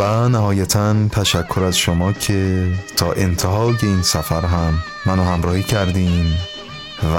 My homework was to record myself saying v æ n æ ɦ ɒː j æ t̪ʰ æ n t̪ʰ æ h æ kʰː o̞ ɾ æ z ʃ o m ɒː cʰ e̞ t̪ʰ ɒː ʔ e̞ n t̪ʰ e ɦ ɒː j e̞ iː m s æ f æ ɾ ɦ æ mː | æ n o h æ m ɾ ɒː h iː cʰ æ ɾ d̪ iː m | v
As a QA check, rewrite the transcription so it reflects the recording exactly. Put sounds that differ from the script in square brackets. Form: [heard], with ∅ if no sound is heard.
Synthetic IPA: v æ n æ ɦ ɒː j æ t̪ʰ æ n t̪ʰ æ [ʃ] æ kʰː o̞ ɾ æ z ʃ o m ɒː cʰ e̞ t̪ʰ ɒː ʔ e̞ n t̪ʰ e ɦ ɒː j e̞ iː [n] s æ f æ ɾ ɦ æ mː | æ n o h æ m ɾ ɒː h iː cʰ æ ɾ d̪ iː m | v